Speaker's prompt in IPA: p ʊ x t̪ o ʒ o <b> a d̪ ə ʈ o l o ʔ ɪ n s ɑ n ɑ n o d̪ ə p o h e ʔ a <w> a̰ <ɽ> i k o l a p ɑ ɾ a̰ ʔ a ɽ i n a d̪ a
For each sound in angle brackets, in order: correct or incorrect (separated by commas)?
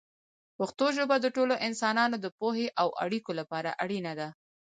correct, correct, correct